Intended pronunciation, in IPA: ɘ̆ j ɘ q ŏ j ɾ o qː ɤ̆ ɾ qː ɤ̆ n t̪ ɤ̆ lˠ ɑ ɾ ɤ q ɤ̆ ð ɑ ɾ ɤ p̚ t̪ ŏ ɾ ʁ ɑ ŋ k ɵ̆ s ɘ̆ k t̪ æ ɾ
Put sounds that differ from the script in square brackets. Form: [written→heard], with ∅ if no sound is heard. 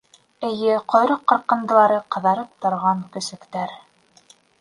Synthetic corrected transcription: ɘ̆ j ɘ q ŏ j ɾ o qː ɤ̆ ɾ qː ɤ̆ n [t̪→d̪] ɤ̆ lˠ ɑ ɾ ɤ q ɤ̆ ð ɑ ɾ ɤ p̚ t̪ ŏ ɾ ʁ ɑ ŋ k ɵ̆ s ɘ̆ k t̪ æ ɾ